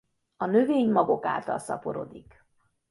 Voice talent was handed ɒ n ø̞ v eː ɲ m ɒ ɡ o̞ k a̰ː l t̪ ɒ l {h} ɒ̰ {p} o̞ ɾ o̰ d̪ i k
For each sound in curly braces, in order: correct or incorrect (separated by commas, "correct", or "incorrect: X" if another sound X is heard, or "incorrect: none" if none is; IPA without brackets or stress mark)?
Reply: incorrect: s, correct